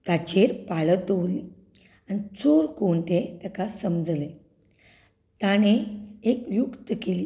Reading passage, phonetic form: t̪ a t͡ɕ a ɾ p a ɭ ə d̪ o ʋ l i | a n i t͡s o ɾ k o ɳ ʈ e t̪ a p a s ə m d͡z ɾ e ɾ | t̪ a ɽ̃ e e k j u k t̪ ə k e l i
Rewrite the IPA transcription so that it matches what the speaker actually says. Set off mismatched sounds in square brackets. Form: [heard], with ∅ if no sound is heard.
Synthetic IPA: t̪ a t͡ɕ [e] ɾ p a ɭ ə [t̪] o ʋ l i | a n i t͡s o ɾ k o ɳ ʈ e t̪ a [k] a s ə m d͡z [l] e [∅] | t̪ a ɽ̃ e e k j u k t̪ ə k e l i